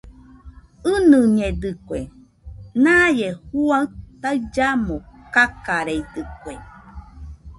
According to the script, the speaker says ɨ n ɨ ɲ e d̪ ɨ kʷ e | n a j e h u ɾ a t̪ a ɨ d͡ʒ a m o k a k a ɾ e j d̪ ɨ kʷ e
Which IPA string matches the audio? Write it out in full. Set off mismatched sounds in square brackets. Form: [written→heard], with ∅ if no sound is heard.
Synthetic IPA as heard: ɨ n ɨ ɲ e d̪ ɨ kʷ e | n a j e h u [ɾ→∅] a t̪ a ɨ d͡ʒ a m o k a k a ɾ e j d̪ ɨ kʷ e

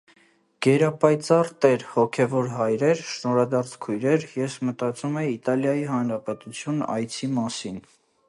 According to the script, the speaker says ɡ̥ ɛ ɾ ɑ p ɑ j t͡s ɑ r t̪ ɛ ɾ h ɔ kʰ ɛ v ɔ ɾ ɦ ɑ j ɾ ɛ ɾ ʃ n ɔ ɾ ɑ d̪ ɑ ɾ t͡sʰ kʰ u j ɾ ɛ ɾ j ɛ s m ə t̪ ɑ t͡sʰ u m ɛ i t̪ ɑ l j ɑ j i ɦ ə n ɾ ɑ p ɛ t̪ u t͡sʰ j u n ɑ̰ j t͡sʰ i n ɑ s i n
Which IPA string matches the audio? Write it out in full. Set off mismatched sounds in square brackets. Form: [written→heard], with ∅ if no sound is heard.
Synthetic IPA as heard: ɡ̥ ɛ ɾ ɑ p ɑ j t͡s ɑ r t̪ ɛ ɾ h ɔ kʰ ɛ v ɔ ɾ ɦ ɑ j ɾ ɛ ɾ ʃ n ɔ ɾ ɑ d̪ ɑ ɾ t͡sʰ kʰ u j ɾ ɛ ɾ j ɛ s m ə t̪ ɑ [t͡sʰ→t͡s] u m ɛ i t̪ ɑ l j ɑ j i ɦ [ə→ɑ] n ɾ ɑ p ɛ t̪ u t͡sʰ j u n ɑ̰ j t͡sʰ i [n→m] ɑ s i n

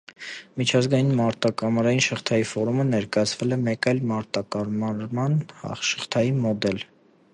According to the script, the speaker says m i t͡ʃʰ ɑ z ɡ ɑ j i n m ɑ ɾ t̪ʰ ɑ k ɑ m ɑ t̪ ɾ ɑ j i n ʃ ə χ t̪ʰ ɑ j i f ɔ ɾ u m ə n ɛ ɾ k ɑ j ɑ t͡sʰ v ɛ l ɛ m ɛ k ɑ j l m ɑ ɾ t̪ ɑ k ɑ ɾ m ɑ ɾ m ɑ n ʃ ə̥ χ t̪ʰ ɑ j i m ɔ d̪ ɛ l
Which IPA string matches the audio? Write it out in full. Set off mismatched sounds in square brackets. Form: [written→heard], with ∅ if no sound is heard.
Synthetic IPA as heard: m i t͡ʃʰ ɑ z ɡ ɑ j i n m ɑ ɾ [t̪ʰ→t̪] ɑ k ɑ m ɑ [t̪→∅] ɾ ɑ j i n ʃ ə χ t̪ʰ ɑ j i f ɔ ɾ u m ə n ɛ ɾ k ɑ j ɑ t͡sʰ v ɛ l ɛ m ɛ k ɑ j l m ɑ ɾ t̪ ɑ k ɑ ɾ m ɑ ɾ m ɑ n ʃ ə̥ χ t̪ʰ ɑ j i m ɔ d̪ ɛ l

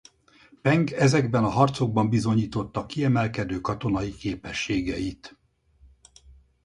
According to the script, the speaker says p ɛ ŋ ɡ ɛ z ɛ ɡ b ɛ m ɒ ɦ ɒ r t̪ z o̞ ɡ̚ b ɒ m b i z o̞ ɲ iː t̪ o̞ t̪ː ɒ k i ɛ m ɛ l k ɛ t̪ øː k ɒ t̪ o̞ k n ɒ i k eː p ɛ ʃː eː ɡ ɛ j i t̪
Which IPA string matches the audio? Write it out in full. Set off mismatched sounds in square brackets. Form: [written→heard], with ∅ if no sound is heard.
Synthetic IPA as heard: p ɛ ŋ ɡ ɛ z ɛ ɡ b ɛ [m→n] ɒ ɦ ɒ r t̪ [z→s] o̞ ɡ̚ b ɒ m b i z o̞ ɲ iː t̪ o̞ t̪ː ɒ k i ɛ m ɛ l k ɛ [t̪→d̪] øː k ɒ t̪ o̞ [k→∅] n ɒ i k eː p ɛ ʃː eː ɡ ɛ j i t̪

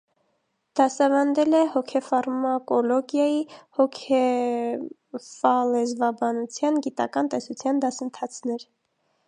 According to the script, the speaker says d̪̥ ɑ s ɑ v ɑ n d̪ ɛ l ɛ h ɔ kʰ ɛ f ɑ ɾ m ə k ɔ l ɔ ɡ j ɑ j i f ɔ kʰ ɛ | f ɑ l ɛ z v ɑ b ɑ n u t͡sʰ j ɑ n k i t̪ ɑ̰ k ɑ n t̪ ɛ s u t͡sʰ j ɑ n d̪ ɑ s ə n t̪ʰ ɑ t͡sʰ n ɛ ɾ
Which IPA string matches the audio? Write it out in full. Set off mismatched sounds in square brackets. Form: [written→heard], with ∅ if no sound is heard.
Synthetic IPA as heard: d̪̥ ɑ s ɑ v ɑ n d̪ ɛ l ɛ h ɔ kʰ ɛ f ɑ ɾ m [ə→ɑ] k ɔ l ɔ ɡ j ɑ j i [f→h] ɔ kʰ ɛ | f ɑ l ɛ z v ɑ b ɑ n u t͡sʰ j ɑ n [k→ɡ] i t̪ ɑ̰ k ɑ n t̪ ɛ s u t͡sʰ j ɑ n d̪ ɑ s ə n t̪ʰ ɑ t͡sʰ n ɛ ɾ

